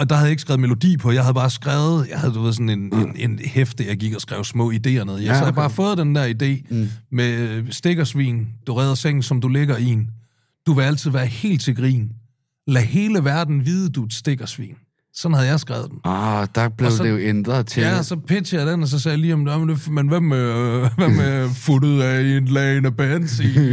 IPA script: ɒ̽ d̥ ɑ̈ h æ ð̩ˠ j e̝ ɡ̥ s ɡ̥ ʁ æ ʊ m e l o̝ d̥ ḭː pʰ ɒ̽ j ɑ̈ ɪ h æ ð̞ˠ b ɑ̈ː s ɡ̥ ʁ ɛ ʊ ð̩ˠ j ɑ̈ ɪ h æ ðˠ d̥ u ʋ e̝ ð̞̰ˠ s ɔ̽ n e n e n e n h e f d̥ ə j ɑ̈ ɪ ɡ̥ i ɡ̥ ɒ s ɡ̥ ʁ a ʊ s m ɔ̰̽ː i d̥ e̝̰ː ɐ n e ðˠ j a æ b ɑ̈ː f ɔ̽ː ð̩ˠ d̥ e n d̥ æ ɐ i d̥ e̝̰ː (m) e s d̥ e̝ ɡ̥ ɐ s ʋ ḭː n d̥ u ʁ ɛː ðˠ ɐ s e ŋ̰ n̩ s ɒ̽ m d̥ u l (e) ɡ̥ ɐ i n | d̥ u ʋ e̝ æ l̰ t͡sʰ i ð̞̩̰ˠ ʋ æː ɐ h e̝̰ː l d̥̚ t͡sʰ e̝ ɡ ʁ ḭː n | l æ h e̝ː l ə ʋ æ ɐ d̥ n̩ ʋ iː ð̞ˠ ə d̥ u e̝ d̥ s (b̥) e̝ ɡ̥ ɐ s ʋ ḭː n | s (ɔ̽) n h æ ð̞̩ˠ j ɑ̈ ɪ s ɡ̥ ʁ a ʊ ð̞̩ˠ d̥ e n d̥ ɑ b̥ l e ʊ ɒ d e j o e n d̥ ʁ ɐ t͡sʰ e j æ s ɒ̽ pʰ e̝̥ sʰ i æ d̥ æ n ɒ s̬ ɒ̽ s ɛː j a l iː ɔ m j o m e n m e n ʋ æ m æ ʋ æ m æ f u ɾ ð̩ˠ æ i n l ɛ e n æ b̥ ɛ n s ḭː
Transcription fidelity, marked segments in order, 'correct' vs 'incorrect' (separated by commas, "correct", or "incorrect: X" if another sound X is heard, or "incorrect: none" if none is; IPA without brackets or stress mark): correct, correct, incorrect: d̥, incorrect: ɒ̽